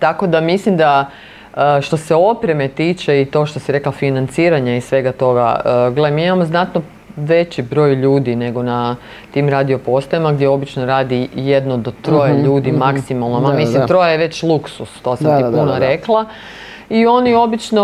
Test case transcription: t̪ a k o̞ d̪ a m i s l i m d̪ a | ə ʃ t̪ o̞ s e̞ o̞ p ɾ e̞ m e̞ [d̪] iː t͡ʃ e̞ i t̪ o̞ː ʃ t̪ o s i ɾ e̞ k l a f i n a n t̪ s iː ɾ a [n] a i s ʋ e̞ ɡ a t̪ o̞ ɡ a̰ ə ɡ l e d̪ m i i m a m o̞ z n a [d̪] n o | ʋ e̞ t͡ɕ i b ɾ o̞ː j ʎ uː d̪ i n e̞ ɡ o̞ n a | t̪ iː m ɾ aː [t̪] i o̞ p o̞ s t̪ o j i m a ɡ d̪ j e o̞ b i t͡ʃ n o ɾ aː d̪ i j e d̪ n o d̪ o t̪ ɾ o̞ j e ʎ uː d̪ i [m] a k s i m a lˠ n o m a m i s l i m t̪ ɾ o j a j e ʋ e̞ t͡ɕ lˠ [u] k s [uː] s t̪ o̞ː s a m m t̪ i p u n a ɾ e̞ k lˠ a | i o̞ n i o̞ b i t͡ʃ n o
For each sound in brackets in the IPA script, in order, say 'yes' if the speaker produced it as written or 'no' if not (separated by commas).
no, no, no, no, yes, yes, no